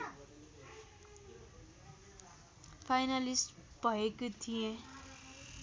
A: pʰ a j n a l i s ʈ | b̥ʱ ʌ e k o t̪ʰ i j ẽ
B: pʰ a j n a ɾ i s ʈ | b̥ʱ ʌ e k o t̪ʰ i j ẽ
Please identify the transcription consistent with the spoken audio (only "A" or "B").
A